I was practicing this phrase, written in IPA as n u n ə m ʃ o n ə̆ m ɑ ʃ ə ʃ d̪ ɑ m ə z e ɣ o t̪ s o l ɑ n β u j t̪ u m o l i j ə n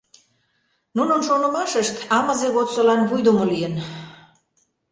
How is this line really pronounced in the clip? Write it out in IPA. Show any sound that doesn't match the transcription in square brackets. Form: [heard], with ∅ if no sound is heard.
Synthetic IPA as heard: n u n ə [n] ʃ o n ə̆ m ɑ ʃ ə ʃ [t̪] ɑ m ə z e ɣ o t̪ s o l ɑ n β u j [d̪] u m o l i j ə n

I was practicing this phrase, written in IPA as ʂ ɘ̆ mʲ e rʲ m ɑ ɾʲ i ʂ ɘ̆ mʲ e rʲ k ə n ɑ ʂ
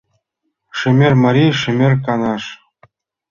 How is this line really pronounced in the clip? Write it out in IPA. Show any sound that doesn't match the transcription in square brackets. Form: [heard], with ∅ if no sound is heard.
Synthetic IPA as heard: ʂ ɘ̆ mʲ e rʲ m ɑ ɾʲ i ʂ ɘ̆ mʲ e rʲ k [ɑ] n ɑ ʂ

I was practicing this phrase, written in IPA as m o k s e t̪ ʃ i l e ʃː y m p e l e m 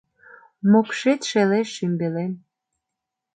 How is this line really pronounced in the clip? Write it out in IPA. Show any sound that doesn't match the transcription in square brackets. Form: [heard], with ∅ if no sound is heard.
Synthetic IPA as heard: m o k [ʃ] e t̪ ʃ [e] l e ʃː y m [b] e l e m

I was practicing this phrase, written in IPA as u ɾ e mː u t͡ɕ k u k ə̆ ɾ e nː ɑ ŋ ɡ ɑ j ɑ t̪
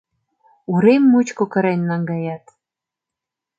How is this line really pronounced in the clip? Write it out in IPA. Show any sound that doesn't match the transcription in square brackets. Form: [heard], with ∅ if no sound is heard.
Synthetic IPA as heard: u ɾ e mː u t͡ɕ k [o] k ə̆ ɾ e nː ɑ ŋ ɡ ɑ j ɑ t̪

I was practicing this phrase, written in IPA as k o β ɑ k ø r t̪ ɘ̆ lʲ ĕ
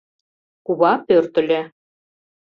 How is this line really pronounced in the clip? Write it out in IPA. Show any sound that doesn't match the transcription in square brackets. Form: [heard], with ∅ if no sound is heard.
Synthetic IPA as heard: k [u] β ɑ [p] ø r t̪ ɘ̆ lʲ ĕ

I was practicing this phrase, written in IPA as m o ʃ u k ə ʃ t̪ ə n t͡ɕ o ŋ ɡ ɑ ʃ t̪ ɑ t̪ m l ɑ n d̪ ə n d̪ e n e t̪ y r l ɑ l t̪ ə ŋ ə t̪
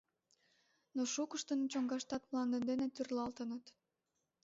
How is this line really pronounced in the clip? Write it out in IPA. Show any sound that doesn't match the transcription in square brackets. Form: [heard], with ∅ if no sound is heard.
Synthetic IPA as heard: [n] o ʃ u k ə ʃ t̪ ə n t͡ɕ o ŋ ɡ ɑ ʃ t̪ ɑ t̪ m l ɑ n d̪ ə n d̪ e n e t̪ y r l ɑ l t̪ ə [n] ə t̪

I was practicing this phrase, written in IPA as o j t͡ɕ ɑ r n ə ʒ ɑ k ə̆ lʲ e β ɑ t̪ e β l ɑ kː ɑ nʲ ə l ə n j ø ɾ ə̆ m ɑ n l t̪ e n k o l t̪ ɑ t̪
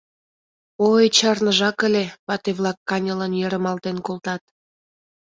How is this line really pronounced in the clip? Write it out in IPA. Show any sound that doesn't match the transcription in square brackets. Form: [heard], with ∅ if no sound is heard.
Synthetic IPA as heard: o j t͡ɕ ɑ r n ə ʒ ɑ k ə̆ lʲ e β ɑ t̪ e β l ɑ kː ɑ nʲ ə l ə n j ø ɾ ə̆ m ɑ [∅] l t̪ e n k o l t̪ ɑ t̪

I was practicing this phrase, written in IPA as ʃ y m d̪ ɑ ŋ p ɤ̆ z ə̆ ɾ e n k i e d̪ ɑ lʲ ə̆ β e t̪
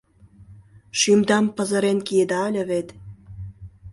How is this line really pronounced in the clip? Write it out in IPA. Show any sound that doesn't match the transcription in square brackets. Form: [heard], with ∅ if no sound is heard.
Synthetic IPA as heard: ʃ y m d̪ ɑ [m] p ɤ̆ z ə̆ ɾ e n k i e d̪ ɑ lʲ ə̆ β e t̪

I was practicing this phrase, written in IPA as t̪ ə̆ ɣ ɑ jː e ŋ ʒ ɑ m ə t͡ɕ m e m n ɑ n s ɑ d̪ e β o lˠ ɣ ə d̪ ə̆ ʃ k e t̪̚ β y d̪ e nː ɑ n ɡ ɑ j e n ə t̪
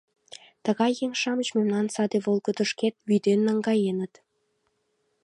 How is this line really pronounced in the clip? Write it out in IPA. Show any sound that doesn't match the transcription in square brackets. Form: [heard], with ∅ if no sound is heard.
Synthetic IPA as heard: t̪ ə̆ ɣ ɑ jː e ŋ [ʃ] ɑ m ə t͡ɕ m e m n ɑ n s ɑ d̪ e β o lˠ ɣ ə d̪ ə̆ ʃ k e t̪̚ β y d̪ e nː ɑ [ŋ] ɡ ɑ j e n ə t̪

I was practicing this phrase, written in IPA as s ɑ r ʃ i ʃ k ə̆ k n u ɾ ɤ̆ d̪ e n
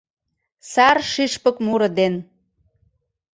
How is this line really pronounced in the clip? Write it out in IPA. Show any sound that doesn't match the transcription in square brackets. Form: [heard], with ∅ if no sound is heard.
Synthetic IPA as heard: s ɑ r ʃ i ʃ [p] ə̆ k [m] u ɾ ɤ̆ d̪ e n

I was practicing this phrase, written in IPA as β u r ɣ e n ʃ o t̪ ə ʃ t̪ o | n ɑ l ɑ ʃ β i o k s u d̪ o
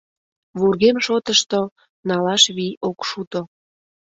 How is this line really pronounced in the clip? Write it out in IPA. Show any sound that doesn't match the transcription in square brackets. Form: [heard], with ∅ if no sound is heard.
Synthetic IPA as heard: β u r ɣ e [m] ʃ o t̪ ə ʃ t̪ o | n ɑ l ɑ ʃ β i o k [ʃ] u [t̪] o

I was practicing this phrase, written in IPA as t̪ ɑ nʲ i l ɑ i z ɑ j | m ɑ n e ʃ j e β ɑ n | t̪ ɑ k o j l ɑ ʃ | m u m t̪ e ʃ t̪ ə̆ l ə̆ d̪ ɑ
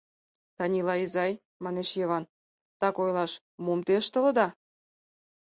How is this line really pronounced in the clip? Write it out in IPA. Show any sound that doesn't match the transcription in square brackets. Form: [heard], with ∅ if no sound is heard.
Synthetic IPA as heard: t̪ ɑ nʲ i l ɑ i z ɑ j | m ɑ n e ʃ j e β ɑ n | t̪ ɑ k o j l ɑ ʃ | m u m t̪ e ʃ t̪ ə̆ l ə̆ d̪ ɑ

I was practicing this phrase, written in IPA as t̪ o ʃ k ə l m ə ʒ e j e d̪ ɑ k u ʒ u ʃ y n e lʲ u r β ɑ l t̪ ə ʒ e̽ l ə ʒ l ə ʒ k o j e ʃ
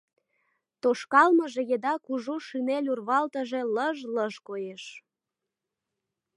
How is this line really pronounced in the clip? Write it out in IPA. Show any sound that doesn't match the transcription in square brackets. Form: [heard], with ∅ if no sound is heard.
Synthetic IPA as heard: t̪ o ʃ k [ɑ] l m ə ʒ e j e d̪ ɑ k u ʒ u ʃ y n e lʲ u r β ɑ l t̪ ə ʒ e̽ l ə ʒ l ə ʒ k o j e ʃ

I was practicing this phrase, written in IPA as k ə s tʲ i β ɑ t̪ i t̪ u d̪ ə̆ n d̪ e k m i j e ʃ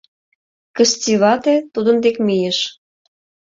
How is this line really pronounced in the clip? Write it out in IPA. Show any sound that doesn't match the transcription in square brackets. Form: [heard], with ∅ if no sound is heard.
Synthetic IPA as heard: k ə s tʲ i β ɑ t̪ [e] t̪ u d̪ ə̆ n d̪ e k m i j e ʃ

